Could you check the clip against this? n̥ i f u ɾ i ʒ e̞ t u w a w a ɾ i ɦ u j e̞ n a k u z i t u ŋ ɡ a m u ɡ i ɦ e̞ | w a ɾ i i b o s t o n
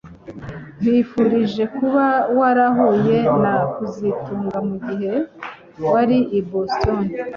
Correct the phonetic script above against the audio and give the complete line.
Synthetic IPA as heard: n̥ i f u ɾ i ʒ e̞ k u β a w a ɾ a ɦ o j e̞ n a k u z i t uː ŋ ɡ a m u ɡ i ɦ e̞ | w a ɾ i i b o s t o n